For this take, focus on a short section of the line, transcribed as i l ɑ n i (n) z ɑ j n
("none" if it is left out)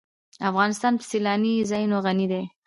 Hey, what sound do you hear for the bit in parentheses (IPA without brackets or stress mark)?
none